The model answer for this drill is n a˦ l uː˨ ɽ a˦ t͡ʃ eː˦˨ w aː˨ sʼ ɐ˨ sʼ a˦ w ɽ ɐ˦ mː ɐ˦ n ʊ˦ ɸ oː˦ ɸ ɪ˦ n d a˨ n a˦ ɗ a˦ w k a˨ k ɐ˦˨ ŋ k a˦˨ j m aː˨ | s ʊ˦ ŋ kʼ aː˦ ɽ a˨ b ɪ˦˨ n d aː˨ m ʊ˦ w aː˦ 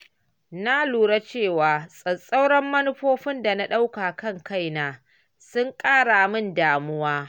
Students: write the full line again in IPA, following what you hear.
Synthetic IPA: n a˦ l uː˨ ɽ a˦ t͡ʃ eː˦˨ w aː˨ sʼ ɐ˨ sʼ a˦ w ɽ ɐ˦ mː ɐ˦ n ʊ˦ ɸ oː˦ ɸ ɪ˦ n d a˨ n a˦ ɗ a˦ w k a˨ k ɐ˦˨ ŋ k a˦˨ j n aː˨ | s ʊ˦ ŋ kʼ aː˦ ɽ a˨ m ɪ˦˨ n d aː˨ m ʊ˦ w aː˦